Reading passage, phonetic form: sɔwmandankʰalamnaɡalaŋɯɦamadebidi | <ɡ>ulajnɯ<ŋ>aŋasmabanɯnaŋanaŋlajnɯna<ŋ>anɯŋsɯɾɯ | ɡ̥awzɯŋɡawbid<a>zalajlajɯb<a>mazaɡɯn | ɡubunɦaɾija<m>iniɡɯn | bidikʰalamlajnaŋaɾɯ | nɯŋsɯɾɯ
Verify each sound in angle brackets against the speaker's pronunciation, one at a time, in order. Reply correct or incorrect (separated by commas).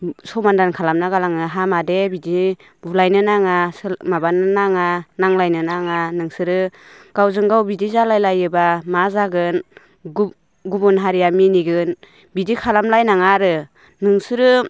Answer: incorrect, incorrect, correct, incorrect, correct, correct